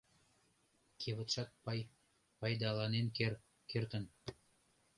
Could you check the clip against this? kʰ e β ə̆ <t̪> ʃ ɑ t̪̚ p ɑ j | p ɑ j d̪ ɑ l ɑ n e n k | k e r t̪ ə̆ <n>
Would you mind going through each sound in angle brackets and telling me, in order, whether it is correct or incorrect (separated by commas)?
correct, correct